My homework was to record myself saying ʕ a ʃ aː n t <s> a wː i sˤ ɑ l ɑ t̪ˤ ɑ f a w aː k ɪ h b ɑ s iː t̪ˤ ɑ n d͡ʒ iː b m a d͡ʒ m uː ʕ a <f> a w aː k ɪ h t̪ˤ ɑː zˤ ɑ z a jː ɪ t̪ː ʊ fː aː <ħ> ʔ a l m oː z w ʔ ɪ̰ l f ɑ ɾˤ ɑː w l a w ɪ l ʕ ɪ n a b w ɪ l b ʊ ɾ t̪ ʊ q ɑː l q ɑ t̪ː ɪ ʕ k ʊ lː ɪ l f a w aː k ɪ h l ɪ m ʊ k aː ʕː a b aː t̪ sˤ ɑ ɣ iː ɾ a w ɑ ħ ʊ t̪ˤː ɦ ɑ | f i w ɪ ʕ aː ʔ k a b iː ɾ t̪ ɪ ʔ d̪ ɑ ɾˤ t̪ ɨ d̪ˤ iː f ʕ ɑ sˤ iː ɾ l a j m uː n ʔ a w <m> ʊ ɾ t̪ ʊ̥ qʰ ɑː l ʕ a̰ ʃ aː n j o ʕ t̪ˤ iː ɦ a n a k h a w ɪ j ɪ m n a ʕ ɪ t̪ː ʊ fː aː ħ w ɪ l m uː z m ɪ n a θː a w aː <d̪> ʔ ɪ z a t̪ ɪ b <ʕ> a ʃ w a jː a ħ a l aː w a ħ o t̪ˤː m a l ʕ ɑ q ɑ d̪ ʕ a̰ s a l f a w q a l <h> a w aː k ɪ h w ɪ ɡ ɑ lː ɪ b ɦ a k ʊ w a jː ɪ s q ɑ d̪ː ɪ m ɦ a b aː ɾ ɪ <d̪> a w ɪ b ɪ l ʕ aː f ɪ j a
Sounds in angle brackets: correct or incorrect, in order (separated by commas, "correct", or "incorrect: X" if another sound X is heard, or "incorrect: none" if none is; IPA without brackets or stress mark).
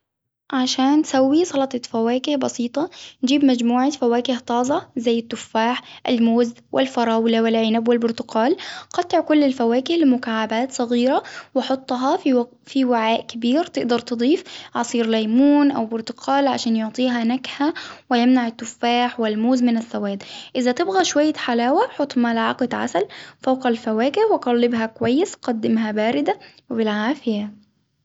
correct, correct, correct, incorrect: b, correct, incorrect: ɣ, incorrect: f, correct